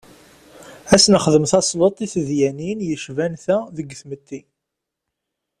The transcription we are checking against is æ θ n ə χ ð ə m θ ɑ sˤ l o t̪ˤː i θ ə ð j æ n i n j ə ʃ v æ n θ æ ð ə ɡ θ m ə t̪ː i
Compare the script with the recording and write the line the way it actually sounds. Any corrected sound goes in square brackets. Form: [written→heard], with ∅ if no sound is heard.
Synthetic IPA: æ [θ→s] n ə χ ð ə m θ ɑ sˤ l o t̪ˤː i θ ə ð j æ n i n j ə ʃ v æ n θ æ ð ə ɡ θ m ə t̪ː i